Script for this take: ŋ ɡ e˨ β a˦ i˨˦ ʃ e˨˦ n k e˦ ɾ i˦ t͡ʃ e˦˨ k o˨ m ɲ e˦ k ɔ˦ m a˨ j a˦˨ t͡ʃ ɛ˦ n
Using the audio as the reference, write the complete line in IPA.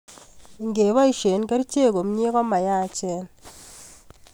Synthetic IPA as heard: ŋ ɡ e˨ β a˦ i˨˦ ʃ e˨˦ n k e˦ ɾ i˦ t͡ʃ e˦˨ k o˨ m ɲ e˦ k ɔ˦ m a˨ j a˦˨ t͡ʃ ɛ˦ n